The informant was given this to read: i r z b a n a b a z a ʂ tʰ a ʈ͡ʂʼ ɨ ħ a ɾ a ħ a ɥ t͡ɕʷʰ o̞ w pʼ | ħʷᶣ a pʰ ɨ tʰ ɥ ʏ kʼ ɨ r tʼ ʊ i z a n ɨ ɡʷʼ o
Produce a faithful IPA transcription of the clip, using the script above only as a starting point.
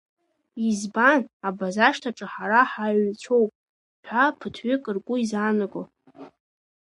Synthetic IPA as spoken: i z b a n a b a z a ʂ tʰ a ʈ͡ʂʼ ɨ ħ a ɾ a ħ a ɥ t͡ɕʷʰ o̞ w pʼ | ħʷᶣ a pʰ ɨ tʰ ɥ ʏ kʼ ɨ r kʼ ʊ i z a n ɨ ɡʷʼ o